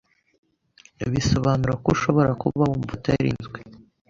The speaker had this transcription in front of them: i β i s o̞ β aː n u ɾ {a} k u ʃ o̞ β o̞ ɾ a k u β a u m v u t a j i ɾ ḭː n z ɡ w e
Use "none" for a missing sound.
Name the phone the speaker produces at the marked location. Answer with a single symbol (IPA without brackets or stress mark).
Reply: a